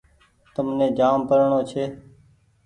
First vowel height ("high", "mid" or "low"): mid